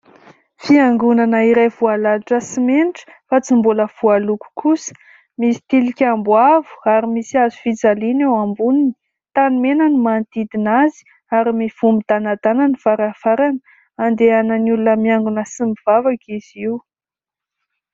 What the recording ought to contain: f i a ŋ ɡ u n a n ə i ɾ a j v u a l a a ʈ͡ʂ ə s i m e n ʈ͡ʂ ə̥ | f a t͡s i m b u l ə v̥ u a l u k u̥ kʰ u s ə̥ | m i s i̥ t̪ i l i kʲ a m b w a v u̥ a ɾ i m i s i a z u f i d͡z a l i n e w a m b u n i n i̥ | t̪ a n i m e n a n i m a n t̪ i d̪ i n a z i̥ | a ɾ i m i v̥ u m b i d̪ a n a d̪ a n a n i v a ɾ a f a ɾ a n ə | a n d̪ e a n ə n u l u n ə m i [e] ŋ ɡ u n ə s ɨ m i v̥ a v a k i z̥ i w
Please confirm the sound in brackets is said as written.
no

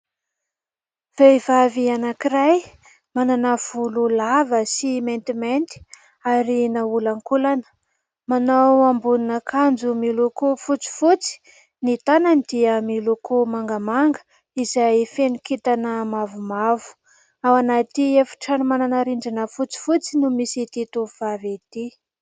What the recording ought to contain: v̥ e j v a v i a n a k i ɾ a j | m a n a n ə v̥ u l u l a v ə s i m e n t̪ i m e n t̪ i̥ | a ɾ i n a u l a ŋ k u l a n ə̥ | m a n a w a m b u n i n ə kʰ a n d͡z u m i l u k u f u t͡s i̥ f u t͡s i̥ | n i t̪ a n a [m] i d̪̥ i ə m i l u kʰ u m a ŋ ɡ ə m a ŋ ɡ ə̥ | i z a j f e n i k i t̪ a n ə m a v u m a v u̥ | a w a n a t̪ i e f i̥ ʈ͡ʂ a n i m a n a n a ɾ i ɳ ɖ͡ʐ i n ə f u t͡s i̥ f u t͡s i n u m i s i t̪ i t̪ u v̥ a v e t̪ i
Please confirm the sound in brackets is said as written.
no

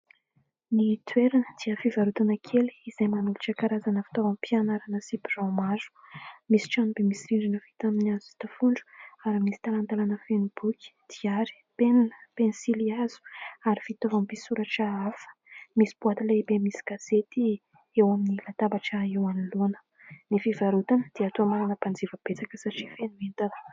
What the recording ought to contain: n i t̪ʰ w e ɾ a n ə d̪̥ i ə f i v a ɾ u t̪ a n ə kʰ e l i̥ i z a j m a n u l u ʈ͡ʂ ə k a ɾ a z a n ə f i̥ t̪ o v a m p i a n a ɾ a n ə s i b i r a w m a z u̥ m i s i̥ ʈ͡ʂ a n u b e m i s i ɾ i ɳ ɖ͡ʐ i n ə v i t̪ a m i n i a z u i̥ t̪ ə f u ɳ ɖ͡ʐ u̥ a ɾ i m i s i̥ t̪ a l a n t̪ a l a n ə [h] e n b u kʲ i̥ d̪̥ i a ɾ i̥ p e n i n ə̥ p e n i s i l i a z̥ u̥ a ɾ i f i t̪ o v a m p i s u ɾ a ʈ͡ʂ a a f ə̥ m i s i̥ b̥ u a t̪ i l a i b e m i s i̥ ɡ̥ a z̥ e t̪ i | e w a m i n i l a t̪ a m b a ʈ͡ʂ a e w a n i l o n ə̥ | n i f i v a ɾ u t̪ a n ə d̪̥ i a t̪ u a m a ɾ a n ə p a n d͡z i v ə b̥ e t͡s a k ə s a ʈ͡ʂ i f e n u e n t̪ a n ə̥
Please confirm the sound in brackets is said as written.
no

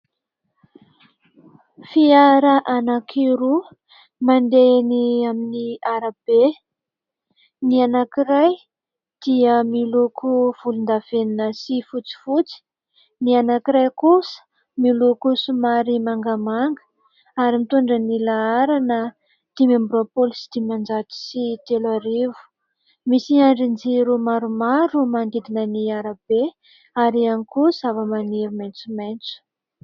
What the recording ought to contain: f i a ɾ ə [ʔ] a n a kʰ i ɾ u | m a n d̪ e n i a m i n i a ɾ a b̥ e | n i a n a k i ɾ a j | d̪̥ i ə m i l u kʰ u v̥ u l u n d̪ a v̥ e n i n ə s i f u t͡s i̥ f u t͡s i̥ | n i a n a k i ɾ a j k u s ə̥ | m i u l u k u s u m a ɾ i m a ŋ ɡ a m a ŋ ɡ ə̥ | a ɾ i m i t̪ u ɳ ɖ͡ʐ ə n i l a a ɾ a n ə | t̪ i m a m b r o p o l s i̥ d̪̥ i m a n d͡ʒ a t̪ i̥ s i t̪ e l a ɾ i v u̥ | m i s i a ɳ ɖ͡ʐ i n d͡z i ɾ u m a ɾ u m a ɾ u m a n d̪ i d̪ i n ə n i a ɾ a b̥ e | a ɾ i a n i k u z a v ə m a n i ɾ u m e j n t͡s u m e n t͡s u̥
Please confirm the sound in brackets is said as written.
yes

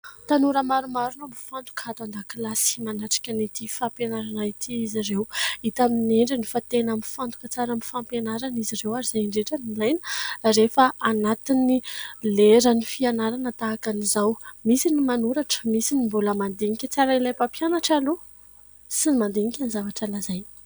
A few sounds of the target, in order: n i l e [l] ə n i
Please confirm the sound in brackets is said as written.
no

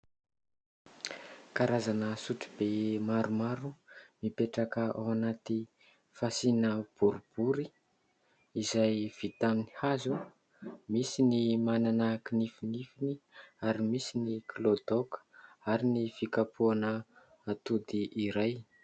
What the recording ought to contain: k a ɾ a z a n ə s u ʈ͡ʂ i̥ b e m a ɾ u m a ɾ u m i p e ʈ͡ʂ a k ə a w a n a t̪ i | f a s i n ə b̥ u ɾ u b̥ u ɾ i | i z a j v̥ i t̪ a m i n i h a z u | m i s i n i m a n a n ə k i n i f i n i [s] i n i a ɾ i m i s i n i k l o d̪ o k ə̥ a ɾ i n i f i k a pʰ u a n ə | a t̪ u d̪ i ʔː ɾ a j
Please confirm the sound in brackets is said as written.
no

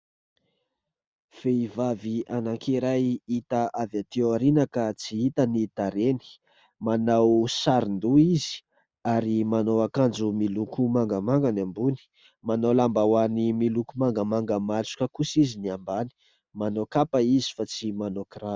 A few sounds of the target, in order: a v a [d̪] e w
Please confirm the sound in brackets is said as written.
no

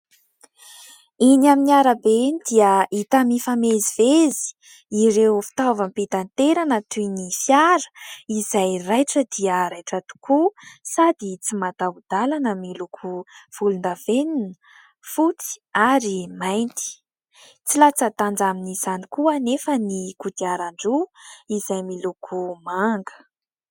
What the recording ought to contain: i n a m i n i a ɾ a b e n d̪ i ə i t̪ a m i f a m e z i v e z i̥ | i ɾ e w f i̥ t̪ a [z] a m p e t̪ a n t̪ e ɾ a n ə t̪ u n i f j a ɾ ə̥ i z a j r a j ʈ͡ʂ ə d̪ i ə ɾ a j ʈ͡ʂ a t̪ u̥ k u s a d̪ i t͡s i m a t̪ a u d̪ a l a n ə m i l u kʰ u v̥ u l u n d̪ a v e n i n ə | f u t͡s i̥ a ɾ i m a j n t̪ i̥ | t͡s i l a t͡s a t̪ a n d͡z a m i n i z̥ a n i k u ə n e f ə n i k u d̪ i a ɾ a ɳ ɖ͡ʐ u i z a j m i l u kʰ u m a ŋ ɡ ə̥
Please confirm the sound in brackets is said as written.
no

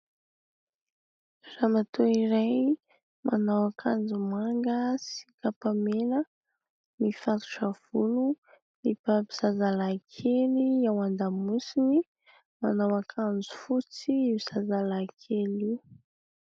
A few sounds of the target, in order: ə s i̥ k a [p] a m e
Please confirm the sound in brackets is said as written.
yes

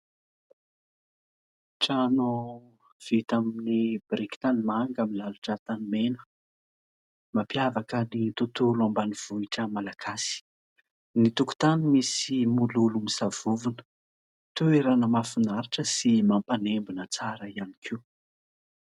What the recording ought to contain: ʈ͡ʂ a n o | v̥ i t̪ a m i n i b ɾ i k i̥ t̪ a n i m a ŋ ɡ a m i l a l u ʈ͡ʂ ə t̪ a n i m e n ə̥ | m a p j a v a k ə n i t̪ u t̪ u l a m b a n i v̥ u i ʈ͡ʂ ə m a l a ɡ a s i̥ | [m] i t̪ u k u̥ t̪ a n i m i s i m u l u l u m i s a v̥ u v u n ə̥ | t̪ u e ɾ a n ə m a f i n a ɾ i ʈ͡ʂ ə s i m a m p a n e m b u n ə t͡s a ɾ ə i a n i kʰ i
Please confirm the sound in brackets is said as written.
no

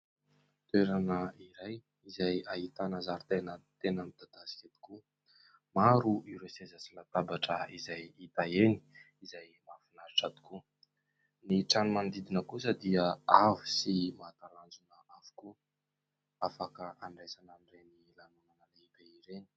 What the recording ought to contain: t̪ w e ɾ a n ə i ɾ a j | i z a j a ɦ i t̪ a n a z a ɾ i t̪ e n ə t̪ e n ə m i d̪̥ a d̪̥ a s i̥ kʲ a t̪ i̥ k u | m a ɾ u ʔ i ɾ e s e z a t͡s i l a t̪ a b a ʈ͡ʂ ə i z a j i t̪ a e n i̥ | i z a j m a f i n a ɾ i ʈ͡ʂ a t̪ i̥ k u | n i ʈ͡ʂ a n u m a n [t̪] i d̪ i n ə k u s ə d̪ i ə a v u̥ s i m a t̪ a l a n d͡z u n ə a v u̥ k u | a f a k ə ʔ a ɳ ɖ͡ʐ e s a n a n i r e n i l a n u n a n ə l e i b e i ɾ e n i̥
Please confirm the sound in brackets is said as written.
no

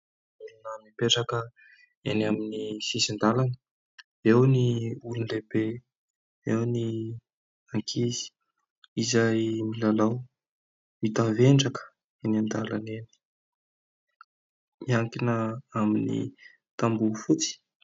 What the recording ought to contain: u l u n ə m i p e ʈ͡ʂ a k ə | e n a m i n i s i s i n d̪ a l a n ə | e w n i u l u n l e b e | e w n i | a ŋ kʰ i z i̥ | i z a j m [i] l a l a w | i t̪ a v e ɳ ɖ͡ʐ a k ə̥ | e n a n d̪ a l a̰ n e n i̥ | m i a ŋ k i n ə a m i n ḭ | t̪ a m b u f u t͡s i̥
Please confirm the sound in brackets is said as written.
yes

